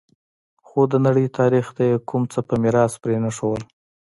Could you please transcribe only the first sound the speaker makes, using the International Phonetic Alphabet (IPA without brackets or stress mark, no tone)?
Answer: x